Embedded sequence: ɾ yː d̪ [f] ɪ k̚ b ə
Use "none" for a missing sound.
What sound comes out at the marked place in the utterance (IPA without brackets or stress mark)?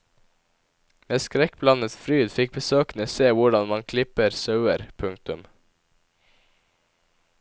f